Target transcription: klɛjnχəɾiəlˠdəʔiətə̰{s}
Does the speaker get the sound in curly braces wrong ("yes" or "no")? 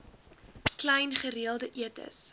no